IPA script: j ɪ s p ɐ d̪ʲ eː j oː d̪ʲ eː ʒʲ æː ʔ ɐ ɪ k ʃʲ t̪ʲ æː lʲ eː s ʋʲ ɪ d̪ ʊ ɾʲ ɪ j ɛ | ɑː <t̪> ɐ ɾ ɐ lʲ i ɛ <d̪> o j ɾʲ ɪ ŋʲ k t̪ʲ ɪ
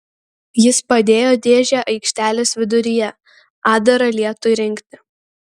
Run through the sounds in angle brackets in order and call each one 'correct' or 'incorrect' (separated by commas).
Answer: incorrect, incorrect